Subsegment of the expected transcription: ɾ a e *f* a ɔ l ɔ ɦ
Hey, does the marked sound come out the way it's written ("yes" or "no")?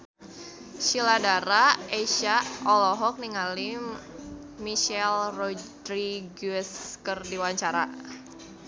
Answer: no